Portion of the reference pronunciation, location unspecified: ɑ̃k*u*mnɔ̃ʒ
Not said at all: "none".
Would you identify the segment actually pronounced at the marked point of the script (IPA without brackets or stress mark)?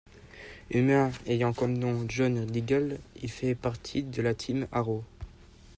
ɔ